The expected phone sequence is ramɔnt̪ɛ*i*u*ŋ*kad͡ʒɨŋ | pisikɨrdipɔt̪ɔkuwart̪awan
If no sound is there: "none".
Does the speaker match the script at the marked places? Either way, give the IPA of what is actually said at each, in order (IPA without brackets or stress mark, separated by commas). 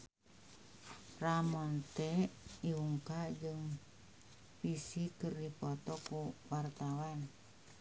i, ŋ